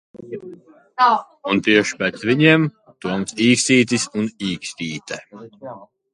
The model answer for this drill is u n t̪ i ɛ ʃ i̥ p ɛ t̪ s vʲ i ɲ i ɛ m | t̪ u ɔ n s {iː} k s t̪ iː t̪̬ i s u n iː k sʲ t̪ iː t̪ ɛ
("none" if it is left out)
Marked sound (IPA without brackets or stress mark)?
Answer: iː